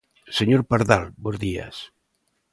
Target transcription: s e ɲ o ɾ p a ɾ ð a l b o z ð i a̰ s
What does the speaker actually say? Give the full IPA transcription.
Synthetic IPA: s e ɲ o ɾ p a ɾ ð a l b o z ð i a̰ s